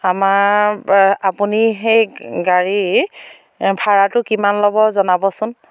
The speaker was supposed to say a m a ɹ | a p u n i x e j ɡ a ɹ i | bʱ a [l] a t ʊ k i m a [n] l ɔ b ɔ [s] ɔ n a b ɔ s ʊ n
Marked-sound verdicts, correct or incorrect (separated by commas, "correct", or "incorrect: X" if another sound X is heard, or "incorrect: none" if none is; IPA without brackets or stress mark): incorrect: ɹ, correct, incorrect: z